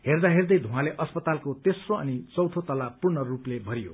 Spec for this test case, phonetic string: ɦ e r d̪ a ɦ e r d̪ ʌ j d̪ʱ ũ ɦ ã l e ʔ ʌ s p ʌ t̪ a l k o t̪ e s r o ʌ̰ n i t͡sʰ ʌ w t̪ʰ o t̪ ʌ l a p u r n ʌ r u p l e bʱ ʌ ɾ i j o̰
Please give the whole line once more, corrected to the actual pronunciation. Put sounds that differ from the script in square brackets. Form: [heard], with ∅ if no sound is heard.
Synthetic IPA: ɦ e r d̪ a ɦ e r d̪ ʌ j d̪ʱ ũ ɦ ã l e ʔ ʌ s p ʌ t̪ a l k o t̪ e s r o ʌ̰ n i [t͡s] ʌ w t̪ʰ o t̪ ʌ l a p u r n ʌ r u p l e bʱ ʌ ɾ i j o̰